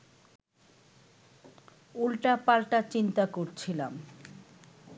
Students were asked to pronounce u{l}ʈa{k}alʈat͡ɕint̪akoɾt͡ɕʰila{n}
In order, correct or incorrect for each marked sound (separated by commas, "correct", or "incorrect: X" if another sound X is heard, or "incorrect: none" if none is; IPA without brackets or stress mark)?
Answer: correct, incorrect: p, incorrect: m